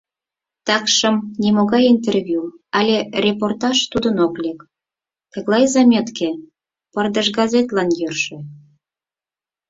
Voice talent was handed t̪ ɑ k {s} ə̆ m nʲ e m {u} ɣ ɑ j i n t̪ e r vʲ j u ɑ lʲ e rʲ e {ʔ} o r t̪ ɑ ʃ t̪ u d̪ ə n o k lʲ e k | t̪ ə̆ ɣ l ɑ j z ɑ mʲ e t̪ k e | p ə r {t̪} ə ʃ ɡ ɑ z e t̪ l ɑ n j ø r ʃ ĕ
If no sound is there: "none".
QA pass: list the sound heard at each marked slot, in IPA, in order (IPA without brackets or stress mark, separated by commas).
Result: ʃ, o, p, d̪